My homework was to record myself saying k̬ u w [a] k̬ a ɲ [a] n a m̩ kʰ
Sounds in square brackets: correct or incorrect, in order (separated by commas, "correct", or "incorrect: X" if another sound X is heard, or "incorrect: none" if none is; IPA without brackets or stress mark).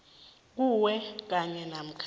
incorrect: ɛ, incorrect: ɛ